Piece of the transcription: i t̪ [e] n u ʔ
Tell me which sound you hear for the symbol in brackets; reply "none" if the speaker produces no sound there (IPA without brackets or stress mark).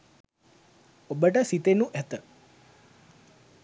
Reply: e